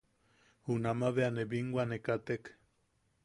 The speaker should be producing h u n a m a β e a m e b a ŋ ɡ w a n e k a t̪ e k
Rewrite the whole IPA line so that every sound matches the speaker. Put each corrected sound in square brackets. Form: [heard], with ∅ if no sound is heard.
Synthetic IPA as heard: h u n a m a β e a [n] e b [i] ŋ ɡ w a n e k a t̪ e k